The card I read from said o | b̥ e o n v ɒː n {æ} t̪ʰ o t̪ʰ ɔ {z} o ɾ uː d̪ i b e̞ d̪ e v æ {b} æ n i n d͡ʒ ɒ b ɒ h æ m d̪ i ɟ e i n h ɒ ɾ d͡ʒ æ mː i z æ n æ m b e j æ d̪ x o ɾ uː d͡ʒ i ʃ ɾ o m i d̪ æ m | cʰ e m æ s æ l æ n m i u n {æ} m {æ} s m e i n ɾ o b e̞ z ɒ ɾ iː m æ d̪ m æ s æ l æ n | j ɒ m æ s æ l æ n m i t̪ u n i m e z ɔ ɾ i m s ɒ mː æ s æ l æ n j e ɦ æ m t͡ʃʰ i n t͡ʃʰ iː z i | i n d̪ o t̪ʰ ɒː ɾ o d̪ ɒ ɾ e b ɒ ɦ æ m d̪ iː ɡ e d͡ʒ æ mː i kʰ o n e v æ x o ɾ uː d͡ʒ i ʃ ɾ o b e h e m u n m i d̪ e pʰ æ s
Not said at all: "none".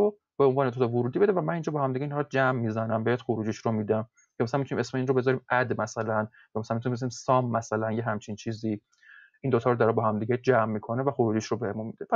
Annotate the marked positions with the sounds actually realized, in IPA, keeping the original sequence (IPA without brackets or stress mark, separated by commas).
e, v, m, i, e